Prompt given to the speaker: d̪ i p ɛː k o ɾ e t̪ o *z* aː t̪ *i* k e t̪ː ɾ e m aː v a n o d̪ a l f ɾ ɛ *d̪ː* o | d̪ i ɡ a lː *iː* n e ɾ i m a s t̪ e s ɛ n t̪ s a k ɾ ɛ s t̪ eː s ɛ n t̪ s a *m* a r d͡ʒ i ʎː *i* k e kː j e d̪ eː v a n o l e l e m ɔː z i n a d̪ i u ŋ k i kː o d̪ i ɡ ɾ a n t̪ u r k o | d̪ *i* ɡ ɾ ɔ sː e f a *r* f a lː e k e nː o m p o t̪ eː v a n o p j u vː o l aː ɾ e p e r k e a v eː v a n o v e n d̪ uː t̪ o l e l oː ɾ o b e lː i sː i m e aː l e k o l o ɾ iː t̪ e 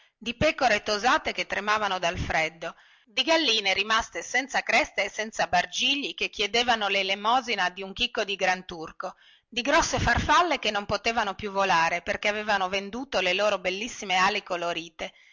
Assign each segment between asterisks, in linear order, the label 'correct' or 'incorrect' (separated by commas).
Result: correct, incorrect, correct, correct, incorrect, correct, correct, correct